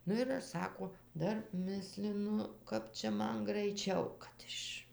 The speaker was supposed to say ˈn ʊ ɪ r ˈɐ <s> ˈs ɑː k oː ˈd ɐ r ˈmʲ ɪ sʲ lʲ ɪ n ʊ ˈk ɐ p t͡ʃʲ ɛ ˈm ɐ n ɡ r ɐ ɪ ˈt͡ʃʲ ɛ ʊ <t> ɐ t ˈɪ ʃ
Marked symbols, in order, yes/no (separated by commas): no, no